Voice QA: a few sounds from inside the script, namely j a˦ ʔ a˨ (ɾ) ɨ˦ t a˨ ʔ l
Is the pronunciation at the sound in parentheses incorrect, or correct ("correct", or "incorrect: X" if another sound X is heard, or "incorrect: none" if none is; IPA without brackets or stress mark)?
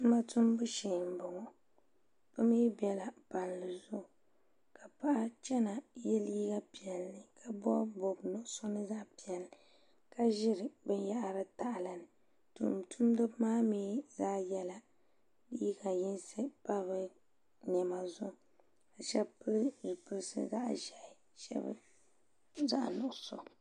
correct